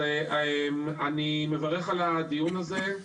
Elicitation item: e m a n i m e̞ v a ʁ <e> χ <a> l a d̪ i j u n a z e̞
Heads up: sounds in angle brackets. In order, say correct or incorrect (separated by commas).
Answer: correct, correct